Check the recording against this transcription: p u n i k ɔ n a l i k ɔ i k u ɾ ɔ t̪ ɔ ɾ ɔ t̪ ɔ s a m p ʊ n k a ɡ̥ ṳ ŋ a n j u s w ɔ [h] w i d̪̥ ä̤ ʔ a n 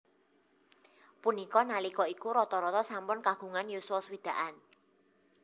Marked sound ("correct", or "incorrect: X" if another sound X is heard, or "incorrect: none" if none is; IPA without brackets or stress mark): incorrect: s